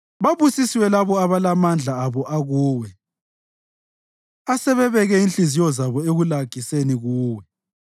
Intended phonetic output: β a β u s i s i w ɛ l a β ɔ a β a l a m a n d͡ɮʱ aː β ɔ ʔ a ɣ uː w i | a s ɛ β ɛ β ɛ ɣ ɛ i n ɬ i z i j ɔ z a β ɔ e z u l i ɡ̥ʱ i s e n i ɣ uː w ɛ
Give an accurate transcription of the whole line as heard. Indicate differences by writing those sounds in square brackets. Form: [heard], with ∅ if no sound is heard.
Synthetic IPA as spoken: β a β u s i s i w ɛ l a β ɔ a β a l a m a n d͡ɮʱ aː β ɔ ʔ a ɣ uː w [ɛ] | a s ɛ β ɛ β ɛ ɣ ɛ i n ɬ i z i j ɔ z a β ɔ e [ɣ] u l [a] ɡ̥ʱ i s e n i ɣ uː w ɛ